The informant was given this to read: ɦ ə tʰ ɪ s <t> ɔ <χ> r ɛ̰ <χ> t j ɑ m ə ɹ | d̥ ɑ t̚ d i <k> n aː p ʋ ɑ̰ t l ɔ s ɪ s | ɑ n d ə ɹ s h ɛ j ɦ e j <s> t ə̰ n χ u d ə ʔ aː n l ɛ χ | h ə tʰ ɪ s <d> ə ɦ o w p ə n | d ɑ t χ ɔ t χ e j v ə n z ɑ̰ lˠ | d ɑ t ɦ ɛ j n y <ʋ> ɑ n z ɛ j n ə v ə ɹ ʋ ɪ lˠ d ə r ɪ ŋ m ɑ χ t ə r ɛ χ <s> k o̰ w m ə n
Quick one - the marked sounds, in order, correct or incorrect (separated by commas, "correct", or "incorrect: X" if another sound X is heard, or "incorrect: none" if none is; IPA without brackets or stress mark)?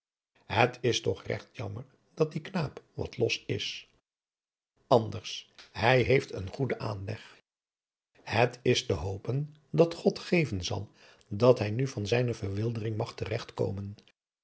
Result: correct, correct, correct, correct, incorrect: f, incorrect: t, incorrect: v, incorrect: t